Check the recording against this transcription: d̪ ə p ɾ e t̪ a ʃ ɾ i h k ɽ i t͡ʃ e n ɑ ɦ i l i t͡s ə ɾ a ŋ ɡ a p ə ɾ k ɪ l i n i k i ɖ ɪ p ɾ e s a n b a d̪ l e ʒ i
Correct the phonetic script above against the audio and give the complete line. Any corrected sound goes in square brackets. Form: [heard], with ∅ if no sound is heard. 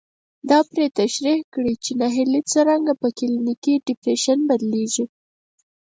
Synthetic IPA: d̪ [ɑ] p ɾ e t̪ a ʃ ɾ i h k ɽ i t͡ʃ e n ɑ ɦ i l i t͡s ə ɾ a ŋ ɡ a p ə [∅] k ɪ l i n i k i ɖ ɪ p ɾ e [ʃ] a n b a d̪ l e ʒ i